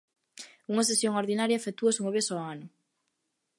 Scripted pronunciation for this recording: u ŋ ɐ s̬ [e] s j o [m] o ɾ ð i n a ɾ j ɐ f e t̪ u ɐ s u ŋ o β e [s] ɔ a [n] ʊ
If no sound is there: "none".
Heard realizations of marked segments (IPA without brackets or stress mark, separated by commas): e, ŋ, s, n